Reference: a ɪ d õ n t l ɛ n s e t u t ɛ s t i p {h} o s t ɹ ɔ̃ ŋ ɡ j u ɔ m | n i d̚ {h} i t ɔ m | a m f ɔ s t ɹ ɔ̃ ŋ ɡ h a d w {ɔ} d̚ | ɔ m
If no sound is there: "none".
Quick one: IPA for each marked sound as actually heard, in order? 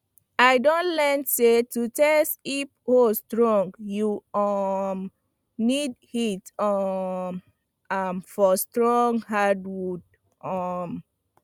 h, h, u

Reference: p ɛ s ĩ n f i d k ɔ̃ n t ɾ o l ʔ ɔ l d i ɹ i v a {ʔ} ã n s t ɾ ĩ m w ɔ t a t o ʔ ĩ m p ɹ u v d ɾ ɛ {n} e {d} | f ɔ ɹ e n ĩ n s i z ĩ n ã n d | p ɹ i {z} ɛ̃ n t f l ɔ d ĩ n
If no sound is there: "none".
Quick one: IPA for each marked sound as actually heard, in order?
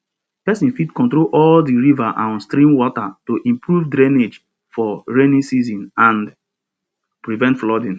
ʔ, n, d͡ʒ, v

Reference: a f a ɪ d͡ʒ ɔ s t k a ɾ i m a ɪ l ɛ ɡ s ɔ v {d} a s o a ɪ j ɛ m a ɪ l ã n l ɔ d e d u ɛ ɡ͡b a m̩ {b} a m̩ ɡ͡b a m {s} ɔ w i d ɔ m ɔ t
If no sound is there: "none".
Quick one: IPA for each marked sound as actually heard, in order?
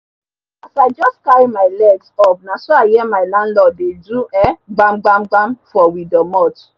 n, ɡ͡b, f

